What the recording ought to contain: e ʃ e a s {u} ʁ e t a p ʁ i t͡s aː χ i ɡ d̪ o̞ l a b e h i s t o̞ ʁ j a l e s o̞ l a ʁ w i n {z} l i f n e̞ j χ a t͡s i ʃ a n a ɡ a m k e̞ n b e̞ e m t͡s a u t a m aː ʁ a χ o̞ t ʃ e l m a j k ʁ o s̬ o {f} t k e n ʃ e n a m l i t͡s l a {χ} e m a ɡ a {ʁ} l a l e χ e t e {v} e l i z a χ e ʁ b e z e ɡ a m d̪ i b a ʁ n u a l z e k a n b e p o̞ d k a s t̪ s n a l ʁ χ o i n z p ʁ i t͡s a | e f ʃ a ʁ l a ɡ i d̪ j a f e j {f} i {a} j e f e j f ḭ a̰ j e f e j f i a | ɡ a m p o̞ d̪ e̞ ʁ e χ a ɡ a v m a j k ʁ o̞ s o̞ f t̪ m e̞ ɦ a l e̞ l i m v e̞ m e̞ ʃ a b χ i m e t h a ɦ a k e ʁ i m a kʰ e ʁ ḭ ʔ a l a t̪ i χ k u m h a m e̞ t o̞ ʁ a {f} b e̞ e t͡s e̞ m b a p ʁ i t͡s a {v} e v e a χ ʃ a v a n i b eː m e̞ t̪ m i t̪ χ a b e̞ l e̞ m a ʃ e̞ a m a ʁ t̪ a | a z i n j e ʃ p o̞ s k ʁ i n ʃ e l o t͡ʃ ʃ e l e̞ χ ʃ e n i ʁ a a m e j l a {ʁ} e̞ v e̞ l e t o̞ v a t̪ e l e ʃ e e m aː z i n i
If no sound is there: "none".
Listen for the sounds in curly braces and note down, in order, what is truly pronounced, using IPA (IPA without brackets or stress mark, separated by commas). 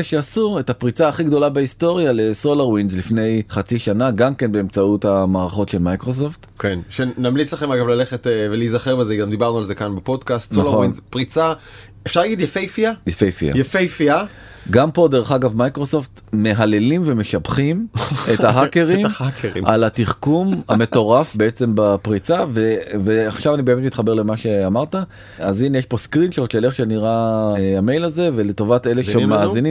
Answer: u, z, f, χ, v, v, f, a, f, v, z